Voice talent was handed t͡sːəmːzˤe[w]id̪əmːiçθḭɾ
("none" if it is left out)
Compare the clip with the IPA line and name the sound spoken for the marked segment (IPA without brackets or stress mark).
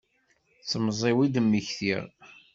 w